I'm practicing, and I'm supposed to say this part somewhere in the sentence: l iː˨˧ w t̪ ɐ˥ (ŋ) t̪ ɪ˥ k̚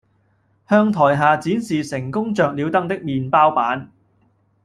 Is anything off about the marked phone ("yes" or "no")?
no